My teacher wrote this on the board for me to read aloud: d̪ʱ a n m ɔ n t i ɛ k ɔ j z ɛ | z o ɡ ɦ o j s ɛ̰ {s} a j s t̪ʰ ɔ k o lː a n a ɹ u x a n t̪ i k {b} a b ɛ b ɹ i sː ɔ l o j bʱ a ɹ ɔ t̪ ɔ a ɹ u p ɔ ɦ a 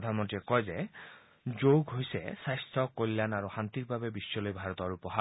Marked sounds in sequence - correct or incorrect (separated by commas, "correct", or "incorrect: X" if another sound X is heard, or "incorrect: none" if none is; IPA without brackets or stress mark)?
correct, correct